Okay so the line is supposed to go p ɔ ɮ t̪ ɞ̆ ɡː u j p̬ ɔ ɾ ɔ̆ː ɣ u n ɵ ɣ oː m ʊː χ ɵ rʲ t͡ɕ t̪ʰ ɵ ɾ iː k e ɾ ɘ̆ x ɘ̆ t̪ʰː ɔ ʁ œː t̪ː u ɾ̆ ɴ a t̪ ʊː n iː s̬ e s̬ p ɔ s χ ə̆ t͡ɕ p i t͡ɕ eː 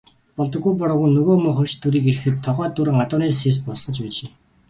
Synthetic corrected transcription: p ɔ ɮ t̪ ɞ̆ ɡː u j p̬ ɔ ɾ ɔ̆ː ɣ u n ɵ ɣ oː m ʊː χ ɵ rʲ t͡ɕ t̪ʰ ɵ ɾ iː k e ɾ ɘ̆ x ɘ̆ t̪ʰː ɔ ʁ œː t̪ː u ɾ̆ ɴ a t̪ ʊː n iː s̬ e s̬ p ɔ s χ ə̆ t͡ɕ p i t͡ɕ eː